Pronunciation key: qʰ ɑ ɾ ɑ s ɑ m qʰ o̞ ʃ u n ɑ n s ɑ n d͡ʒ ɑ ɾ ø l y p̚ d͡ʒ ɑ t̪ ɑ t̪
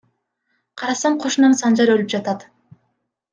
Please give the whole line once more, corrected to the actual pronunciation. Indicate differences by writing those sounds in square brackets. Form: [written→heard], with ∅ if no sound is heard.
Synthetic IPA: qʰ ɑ ɾ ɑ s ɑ [m→ɴ] qʰ o̞ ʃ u n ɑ n s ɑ n d͡ʒ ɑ ɾ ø l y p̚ d͡ʒ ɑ t̪ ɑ t̪